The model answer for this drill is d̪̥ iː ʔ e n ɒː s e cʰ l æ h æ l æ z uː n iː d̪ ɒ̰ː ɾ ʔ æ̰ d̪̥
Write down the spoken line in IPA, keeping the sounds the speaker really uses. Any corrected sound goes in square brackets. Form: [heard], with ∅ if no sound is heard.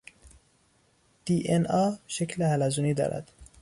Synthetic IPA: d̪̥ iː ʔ e n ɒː [ʃ] e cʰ l [e] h æ l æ z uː n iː d̪ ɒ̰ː ɾ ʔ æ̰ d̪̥